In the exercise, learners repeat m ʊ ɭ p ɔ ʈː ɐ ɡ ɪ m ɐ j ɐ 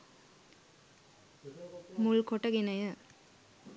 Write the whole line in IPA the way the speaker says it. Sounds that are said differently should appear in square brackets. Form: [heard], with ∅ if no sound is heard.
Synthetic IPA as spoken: m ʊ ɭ [k] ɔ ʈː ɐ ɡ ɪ [n] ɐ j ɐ